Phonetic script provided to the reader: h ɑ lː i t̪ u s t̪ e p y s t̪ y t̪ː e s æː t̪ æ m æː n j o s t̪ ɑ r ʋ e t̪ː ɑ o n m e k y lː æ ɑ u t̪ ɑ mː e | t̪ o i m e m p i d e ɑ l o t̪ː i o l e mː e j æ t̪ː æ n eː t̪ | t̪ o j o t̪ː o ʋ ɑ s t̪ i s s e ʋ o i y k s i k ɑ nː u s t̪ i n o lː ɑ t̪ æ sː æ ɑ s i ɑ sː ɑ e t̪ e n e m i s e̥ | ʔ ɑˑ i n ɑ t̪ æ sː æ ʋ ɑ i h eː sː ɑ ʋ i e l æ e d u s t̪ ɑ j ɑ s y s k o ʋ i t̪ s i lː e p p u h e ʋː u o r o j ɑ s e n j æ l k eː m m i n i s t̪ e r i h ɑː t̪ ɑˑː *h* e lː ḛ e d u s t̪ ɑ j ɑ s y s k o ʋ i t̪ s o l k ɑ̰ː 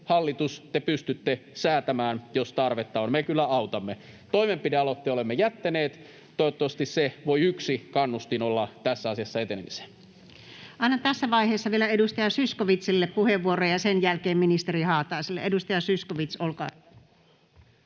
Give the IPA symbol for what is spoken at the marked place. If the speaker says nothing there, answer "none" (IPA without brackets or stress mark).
s